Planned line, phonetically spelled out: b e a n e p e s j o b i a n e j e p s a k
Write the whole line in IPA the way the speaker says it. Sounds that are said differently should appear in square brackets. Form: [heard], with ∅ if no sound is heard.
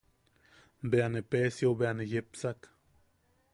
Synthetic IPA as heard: b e a n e p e s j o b [e] a n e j e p s a k